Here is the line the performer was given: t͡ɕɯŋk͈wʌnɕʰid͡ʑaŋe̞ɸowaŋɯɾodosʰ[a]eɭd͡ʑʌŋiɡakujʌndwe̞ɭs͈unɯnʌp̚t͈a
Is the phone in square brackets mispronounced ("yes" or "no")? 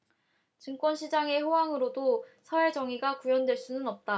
yes